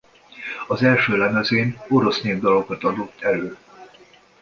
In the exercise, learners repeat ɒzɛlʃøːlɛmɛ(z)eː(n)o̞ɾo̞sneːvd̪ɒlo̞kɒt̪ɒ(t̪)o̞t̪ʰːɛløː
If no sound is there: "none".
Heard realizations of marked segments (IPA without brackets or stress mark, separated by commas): z, n, d̪